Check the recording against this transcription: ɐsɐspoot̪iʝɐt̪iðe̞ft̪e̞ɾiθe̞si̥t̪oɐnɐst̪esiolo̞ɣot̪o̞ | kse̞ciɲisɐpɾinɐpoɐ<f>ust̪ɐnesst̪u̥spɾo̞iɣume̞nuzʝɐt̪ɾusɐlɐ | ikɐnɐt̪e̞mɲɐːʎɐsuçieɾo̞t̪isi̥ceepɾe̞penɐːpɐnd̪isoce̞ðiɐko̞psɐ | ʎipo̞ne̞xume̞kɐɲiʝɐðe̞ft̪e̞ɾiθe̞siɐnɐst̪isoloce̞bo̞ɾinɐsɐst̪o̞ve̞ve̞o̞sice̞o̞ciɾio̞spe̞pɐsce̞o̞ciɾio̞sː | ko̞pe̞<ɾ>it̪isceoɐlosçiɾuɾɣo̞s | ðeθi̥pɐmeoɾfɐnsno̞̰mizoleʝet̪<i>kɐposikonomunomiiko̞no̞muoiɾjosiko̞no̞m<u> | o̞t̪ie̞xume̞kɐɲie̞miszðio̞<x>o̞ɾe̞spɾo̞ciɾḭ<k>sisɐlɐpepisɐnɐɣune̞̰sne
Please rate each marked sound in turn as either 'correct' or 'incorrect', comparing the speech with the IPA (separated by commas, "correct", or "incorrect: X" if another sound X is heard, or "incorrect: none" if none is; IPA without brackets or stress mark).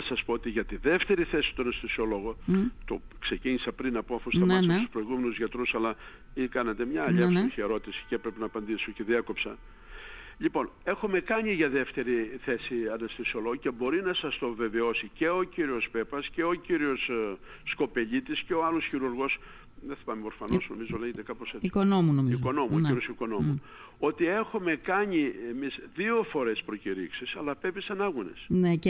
correct, incorrect: ʎ, incorrect: e, correct, incorrect: f, correct